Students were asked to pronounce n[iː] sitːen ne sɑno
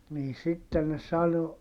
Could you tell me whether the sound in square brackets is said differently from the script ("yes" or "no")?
no